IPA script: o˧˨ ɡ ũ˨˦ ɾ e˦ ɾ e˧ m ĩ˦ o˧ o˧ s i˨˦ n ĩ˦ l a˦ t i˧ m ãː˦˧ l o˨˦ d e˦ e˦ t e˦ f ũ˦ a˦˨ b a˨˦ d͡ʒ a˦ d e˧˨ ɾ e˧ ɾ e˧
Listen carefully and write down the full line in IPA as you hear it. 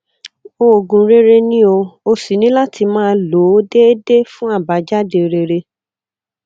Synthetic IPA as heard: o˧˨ ɡ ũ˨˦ ɾ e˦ ɾ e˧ n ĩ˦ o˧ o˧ s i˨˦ n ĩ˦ l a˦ t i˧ m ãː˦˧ l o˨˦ d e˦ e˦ d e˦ f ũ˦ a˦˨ b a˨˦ d͡ʒ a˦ d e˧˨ ɾ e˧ ɾ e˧